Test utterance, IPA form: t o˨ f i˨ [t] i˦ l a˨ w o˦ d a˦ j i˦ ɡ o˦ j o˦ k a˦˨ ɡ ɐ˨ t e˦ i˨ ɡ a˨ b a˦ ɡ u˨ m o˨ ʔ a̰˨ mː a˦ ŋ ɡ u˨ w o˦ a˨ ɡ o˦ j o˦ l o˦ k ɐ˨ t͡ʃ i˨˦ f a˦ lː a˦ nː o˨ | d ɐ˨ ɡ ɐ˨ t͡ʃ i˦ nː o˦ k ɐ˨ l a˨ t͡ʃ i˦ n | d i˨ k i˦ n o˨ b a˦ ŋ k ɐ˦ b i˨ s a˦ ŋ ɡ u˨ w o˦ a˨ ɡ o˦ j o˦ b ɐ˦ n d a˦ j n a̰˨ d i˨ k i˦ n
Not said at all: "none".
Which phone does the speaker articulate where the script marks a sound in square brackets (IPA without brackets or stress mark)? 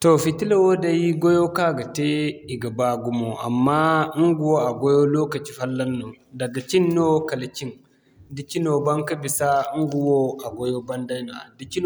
t